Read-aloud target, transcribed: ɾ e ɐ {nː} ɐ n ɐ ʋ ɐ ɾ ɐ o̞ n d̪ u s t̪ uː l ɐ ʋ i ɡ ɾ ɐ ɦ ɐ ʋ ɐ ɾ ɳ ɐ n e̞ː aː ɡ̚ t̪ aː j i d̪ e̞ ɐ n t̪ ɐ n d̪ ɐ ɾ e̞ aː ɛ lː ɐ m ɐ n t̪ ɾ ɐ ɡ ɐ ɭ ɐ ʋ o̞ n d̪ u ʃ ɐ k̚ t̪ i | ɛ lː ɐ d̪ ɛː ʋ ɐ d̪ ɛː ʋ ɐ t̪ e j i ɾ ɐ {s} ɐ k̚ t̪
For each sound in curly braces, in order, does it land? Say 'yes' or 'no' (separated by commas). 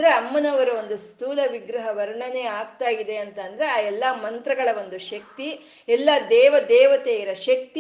no, no